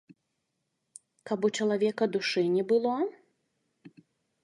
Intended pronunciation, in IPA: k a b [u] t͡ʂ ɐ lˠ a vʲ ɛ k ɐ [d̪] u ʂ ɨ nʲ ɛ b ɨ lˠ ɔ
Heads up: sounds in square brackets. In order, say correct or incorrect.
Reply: correct, correct

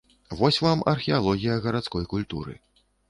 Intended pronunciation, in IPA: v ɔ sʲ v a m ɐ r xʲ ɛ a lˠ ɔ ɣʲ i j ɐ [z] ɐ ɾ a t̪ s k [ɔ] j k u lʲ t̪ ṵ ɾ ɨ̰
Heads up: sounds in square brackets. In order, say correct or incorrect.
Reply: incorrect, correct

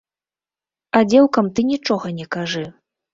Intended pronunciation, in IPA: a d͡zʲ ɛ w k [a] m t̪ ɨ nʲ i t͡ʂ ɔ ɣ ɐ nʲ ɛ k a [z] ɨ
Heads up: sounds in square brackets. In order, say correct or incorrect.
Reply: incorrect, incorrect

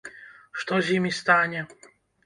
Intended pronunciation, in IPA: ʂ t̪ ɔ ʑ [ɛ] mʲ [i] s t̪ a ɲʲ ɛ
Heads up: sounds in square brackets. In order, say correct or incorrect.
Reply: incorrect, correct

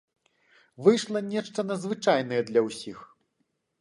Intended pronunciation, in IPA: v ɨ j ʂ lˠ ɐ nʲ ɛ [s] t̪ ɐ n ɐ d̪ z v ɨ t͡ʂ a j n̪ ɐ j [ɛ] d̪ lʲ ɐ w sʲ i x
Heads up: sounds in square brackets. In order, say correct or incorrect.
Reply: incorrect, correct

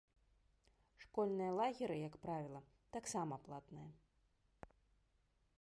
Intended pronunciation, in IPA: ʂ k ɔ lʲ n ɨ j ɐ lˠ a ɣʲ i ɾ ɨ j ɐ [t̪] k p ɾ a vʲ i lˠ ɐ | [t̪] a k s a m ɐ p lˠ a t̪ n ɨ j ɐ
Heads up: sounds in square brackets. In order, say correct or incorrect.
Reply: incorrect, correct

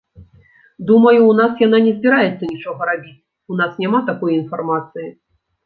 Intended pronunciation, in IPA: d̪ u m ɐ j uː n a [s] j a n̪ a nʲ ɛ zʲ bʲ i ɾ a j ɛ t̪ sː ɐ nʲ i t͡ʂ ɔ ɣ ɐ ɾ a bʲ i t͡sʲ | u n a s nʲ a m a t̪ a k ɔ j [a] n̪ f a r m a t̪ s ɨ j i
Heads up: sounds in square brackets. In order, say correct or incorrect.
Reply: correct, incorrect

